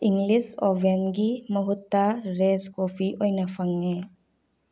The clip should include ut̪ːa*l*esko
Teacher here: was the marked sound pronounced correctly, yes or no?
no